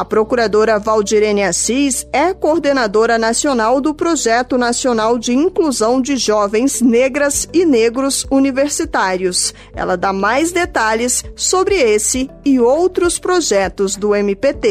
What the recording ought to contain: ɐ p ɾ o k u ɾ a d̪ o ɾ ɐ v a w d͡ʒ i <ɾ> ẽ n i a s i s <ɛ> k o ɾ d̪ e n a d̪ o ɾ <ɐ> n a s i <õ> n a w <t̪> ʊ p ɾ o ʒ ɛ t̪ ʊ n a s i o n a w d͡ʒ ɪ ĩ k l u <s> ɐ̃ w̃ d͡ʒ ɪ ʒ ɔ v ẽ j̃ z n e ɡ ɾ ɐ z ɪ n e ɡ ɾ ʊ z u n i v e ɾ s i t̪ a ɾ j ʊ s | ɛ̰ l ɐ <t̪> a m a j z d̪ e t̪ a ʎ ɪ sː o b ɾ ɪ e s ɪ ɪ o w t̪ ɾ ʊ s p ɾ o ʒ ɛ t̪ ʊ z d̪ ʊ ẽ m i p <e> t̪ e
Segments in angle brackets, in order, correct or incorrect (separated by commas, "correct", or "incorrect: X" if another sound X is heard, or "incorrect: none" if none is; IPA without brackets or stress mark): correct, correct, correct, incorrect: o, incorrect: d̪, incorrect: z, incorrect: d̪, correct